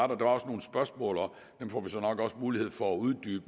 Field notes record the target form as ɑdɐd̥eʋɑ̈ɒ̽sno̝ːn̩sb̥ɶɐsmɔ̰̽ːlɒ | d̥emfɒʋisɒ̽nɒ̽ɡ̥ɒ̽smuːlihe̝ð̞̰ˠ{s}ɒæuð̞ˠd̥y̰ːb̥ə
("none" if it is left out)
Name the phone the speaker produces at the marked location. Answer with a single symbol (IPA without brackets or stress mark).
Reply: f